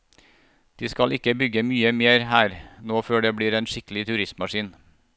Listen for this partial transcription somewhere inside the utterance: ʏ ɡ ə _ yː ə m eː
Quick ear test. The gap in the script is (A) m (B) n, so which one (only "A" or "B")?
A